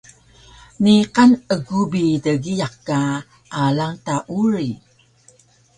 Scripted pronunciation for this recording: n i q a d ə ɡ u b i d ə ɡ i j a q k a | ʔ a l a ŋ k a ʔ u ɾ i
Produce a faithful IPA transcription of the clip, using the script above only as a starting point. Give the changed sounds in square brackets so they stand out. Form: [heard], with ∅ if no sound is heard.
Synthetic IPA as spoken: n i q a [n] ə ɡ u b i d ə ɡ i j a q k a | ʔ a l a ŋ [t] a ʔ u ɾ i